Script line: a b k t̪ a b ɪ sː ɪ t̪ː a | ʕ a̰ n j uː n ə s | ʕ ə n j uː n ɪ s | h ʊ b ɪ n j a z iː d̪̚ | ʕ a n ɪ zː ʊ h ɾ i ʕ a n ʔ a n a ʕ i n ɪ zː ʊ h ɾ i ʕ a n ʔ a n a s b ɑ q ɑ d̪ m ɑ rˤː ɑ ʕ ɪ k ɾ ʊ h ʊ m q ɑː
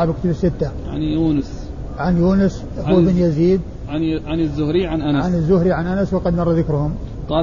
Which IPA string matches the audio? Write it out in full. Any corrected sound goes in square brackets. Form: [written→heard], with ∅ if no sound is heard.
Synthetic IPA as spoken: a b k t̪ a b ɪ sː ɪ t̪ː a | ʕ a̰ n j uː n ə s | ʕ [ə→a] n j uː n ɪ s | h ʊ b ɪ n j a z iː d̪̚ | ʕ a n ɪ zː ʊ h ɾ i ʕ a n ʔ a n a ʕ [i→a] n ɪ zː ʊ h ɾ i ʕ a n ʔ a n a s [b→w] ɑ q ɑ d̪ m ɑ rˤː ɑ [ʕ→ð] ɪ k ɾ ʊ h ʊ m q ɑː